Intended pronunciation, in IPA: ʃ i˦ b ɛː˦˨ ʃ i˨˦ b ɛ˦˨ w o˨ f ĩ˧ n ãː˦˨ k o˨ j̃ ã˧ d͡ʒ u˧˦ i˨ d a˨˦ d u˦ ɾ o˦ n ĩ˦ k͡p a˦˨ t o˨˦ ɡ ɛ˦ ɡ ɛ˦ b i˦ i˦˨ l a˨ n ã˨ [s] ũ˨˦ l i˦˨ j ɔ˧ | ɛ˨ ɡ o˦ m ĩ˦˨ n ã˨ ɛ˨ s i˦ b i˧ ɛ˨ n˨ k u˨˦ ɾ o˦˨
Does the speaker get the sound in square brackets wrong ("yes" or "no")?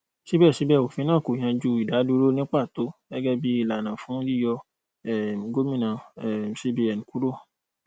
yes